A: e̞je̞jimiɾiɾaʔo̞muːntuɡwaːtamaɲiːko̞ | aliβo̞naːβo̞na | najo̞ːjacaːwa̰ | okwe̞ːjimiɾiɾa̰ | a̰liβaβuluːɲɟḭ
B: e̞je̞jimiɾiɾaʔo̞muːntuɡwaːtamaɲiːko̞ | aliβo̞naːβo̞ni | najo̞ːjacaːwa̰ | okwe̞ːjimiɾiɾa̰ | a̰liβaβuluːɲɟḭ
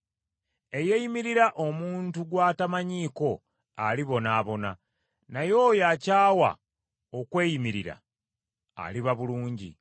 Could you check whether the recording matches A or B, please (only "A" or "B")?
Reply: A